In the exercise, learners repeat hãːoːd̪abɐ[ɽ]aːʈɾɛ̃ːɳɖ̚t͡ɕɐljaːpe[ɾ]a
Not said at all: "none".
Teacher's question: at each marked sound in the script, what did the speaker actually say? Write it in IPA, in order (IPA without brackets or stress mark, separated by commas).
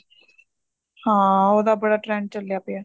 ɽ, none